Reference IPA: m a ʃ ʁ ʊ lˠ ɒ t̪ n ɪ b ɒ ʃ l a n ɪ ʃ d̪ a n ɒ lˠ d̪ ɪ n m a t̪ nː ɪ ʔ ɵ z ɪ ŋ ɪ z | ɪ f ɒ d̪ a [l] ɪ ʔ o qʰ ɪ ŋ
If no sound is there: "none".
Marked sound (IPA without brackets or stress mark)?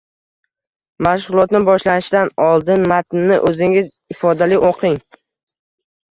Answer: l